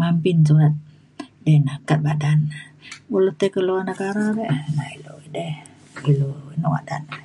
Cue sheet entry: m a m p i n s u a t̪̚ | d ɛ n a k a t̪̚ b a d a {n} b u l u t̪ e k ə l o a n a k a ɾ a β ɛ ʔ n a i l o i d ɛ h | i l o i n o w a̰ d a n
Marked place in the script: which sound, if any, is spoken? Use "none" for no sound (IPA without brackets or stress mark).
n